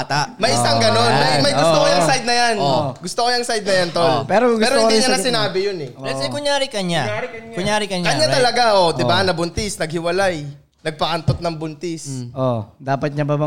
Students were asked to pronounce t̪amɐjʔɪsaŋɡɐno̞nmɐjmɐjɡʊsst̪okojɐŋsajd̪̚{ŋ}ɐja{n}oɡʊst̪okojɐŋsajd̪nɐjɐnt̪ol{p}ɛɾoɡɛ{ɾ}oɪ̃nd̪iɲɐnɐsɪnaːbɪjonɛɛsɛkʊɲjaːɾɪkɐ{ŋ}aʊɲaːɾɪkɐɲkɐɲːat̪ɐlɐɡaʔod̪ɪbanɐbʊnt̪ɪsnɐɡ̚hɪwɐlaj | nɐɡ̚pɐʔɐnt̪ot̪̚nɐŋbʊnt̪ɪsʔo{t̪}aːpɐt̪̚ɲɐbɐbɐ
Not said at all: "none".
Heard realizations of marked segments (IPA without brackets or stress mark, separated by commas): n, n, p, ɾ, ɲ, d̪